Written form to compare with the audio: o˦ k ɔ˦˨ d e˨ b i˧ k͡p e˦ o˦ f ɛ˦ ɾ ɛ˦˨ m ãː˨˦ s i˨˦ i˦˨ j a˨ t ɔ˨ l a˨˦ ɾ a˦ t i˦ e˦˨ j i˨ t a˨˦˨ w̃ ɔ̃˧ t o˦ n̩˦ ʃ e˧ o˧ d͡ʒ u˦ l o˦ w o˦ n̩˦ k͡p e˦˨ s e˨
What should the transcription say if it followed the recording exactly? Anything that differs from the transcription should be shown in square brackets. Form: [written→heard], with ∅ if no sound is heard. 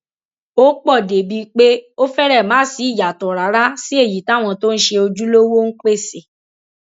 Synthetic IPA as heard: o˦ [k→k͡p] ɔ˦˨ d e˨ b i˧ k͡p e˦ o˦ f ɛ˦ ɾ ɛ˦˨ m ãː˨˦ s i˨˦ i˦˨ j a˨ t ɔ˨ [l→ɾ] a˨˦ ɾ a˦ [t→s] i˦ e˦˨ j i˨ t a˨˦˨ w̃ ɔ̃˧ t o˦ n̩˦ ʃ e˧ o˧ d͡ʒ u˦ l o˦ w o˦ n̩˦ k͡p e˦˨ s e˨